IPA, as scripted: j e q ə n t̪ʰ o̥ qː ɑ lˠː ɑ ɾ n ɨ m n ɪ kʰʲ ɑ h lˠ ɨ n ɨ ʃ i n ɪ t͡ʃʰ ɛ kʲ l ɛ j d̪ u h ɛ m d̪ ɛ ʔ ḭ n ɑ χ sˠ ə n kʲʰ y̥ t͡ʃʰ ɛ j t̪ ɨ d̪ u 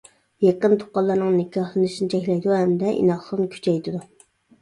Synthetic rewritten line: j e q ə n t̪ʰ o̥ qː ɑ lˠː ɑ ɾ n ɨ ŋ n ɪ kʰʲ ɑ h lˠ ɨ n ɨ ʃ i n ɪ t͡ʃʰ ɛ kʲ l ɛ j d̪ u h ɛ m d̪ ɛ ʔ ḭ n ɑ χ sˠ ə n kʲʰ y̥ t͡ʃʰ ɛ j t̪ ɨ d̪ u